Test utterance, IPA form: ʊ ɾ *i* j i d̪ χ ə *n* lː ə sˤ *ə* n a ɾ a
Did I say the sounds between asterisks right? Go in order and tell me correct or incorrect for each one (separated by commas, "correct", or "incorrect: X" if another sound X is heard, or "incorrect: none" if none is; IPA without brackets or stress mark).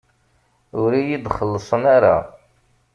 correct, incorrect: none, correct